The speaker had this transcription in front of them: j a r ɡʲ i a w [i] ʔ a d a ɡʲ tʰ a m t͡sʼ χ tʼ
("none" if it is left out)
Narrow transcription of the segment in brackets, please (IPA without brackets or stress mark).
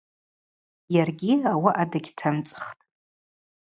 a